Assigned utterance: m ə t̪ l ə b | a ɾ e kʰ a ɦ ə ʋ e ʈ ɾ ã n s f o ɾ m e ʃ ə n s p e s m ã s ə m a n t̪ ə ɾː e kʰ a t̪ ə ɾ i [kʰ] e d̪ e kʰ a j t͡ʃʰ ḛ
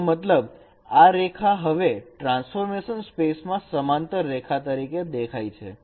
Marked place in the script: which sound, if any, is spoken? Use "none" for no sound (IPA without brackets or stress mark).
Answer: k